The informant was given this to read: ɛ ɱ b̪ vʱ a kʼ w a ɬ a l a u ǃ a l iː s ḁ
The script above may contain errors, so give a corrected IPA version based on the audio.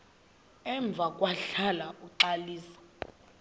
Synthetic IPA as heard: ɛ ɱ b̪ vʱ a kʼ w a ɬ a l a u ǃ a l iː s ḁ